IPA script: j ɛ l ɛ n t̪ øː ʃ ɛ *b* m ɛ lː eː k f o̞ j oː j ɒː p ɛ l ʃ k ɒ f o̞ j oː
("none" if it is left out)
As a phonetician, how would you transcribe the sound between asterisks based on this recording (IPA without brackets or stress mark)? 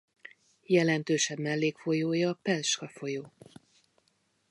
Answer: b